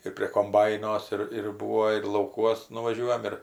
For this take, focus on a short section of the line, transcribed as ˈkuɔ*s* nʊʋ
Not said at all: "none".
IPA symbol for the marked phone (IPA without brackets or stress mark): s